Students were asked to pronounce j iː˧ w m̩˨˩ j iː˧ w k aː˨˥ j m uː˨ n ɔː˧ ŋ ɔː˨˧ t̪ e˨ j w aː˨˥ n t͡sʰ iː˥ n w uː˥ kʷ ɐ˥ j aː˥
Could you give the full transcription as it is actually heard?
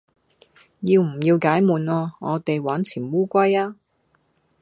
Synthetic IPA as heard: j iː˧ w m̩˨˩ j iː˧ w k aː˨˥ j m uː˨ n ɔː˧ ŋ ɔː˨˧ t̪ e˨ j w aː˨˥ n t͡sʰ iː˨˩ n w uː˥ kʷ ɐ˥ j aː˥